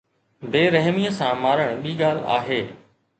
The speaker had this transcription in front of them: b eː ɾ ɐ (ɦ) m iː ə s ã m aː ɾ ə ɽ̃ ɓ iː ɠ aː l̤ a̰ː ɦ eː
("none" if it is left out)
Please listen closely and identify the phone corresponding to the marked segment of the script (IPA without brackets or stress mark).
ɦ